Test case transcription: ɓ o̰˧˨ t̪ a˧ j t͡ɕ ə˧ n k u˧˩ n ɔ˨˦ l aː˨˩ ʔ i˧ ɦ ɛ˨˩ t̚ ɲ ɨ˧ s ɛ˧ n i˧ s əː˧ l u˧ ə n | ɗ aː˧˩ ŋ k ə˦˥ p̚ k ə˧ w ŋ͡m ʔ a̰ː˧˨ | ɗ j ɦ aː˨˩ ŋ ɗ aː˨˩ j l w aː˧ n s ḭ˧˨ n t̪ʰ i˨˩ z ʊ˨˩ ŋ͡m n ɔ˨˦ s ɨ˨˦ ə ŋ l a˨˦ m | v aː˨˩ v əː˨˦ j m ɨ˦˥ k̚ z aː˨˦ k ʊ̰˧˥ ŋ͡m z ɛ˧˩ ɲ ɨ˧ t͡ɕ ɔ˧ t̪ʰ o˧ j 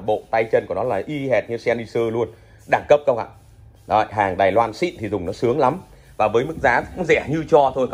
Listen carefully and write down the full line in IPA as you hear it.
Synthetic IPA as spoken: ɓ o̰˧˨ t̪ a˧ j t͡ɕ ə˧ n k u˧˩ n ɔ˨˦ l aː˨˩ ʔ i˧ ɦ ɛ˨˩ t̚ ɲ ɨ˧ s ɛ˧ n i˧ s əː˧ l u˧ ə n | ɗ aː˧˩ ŋ k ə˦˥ p̚ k ə˧ w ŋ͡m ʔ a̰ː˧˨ | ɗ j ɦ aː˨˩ ŋ ɗ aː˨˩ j l w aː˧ n s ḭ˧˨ n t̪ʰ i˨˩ z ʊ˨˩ ŋ͡m n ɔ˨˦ s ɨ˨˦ ə ŋ l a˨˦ m | v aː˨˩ v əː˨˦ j m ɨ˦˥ k̚ z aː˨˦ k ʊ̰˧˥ ŋ͡m z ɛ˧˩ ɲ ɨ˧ t͡ɕ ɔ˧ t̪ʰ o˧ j

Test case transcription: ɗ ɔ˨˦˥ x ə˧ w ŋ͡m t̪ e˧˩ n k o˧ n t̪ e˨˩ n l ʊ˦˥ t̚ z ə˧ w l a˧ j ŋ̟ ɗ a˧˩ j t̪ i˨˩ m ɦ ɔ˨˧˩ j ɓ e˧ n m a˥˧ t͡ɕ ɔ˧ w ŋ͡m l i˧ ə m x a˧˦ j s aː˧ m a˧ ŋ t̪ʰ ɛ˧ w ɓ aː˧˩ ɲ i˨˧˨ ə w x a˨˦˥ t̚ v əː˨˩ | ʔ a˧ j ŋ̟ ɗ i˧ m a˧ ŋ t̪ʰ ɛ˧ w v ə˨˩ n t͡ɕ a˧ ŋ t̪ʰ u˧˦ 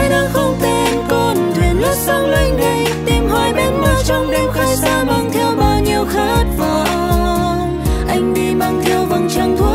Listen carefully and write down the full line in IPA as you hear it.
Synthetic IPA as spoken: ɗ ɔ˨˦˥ x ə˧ w ŋ͡m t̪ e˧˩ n k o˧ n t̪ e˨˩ n l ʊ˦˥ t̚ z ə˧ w l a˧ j ŋ̟ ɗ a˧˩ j t̪ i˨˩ m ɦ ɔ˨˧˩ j ɓ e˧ n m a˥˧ t͡ɕ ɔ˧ w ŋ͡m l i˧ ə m x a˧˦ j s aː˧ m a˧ ŋ t̪ʰ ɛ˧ w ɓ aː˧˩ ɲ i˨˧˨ ə w x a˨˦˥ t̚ v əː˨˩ | ʔ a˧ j ŋ̟ ɗ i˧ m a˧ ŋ t̪ʰ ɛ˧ w v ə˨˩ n t͡ɕ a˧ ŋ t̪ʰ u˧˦

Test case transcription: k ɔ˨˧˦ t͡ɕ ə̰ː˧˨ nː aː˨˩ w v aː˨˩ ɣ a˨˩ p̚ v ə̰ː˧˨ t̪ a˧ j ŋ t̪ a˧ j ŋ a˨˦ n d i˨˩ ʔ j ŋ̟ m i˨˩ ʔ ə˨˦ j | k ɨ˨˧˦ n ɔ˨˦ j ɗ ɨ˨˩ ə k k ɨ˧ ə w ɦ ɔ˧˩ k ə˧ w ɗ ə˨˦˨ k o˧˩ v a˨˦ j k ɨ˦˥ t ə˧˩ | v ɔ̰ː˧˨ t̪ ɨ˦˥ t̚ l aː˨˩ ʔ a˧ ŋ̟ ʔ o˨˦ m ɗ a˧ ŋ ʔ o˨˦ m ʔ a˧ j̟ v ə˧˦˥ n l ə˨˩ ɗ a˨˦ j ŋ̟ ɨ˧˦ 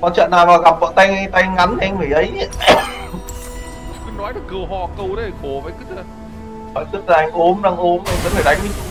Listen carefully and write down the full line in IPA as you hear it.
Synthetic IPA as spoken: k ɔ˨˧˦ t͡ɕ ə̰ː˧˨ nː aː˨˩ w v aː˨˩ ɣ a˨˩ p̚ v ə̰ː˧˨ t̪ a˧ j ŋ t̪ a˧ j ŋ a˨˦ n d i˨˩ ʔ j ŋ̟ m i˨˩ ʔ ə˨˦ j | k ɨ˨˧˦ n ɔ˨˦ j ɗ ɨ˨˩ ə k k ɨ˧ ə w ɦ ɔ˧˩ k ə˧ w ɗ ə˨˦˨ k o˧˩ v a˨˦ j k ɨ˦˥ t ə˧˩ | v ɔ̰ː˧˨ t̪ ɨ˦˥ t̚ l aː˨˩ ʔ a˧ ŋ̟ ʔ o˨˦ m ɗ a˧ ŋ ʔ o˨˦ m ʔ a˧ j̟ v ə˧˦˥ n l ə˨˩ ɗ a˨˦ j ŋ̟ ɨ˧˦

